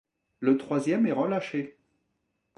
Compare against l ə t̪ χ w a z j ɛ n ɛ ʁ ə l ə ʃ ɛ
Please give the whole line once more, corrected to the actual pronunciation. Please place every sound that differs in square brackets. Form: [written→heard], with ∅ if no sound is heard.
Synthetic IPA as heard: l ə t̪ χ w a z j ɛ [n→m] ɛ ʁ ə l [ə→a] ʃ [ɛ→e]